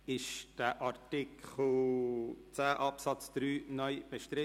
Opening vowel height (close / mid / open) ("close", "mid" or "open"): close